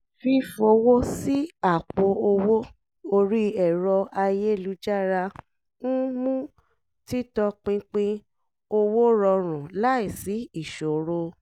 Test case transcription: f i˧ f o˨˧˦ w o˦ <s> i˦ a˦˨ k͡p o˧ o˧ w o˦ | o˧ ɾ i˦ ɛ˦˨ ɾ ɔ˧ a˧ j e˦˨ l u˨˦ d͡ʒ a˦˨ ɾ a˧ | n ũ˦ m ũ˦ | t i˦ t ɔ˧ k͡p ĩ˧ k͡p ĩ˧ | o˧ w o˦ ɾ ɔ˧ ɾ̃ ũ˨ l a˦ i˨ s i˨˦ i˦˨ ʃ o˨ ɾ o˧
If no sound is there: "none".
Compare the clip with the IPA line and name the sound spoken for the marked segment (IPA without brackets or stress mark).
s